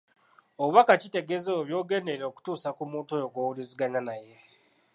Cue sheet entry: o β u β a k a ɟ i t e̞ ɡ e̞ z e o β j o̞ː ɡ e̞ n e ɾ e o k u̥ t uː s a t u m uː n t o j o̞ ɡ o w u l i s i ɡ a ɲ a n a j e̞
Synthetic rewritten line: o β u β a k a c i t e̞ ɡ e̞ z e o β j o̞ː ɡ e̞ n e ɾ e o k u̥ t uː s a k u m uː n t o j o̞ ɡ o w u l i z i ɡ a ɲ a n a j e̞